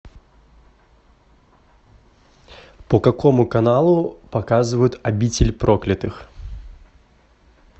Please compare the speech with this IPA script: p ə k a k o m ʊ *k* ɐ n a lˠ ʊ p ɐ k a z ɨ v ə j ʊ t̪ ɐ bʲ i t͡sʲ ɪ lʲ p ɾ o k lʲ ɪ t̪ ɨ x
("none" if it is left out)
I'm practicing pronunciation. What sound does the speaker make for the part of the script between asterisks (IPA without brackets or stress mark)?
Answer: k